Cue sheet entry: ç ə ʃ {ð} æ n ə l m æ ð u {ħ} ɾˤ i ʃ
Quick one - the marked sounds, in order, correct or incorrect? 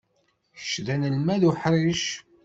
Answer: correct, correct

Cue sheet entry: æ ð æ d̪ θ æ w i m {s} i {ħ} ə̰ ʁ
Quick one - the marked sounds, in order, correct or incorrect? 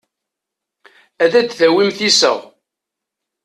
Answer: incorrect: θ, incorrect: s

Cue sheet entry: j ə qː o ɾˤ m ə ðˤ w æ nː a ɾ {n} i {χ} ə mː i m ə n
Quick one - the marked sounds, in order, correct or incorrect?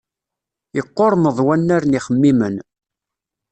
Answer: correct, correct

